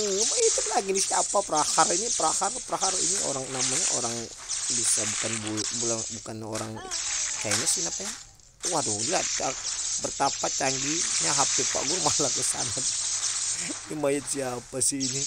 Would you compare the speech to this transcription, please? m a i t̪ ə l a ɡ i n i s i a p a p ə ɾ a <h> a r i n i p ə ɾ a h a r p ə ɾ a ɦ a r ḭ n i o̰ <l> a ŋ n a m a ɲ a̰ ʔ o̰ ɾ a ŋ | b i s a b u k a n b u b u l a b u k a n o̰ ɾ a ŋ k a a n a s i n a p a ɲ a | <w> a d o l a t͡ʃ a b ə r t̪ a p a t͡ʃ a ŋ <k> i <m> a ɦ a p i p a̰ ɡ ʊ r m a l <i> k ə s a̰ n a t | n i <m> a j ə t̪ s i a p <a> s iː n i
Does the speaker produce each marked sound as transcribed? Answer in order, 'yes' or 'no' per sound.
yes, no, yes, no, no, no, yes, yes

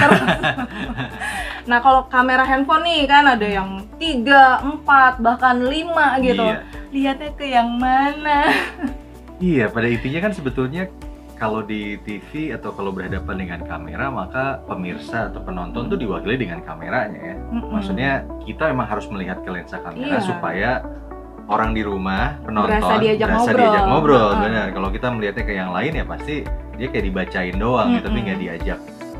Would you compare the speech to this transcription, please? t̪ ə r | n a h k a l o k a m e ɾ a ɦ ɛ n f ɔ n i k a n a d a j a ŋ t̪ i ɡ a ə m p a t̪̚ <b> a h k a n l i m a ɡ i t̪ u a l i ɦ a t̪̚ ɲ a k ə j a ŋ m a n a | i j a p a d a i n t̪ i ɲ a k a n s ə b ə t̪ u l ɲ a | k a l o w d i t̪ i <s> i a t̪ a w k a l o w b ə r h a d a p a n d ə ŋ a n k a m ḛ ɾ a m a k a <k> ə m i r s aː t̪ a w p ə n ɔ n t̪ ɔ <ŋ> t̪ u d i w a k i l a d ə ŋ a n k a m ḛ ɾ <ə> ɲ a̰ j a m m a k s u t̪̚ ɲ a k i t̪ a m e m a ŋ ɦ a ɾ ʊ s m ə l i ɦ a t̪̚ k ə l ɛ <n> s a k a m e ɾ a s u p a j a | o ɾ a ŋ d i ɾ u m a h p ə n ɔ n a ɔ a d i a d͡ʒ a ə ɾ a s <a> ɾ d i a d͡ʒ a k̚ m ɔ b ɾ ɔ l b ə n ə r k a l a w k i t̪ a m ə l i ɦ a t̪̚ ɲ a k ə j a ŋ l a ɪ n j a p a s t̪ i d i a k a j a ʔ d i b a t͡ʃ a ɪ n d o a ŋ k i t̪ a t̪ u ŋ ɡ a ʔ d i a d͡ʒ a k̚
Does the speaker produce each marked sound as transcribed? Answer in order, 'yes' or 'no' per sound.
yes, no, no, no, no, yes, yes

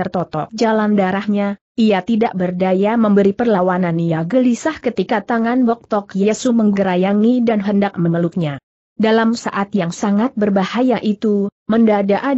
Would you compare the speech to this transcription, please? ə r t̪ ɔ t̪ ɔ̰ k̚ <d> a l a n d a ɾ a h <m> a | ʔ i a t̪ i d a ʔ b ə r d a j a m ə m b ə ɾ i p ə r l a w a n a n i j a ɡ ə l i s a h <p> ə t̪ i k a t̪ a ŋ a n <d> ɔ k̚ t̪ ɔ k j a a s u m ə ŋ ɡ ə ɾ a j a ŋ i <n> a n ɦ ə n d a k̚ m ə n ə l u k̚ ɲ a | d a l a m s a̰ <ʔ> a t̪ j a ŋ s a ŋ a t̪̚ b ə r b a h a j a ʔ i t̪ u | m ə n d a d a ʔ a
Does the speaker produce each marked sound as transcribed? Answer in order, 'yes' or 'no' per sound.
no, no, no, no, no, yes

